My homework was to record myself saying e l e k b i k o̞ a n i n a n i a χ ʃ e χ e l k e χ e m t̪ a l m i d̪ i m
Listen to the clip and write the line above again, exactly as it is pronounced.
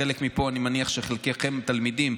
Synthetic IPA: e l e k m i p o̞ a n i m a n i a χ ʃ e χ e l k e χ e m t̪ a l m i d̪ i m